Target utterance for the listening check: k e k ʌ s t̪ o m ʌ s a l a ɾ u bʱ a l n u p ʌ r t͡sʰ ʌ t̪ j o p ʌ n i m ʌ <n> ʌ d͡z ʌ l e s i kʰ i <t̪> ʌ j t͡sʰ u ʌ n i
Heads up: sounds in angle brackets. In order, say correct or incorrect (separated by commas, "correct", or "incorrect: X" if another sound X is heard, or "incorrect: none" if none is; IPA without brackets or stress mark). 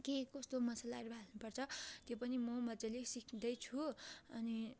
incorrect: m, incorrect: d̪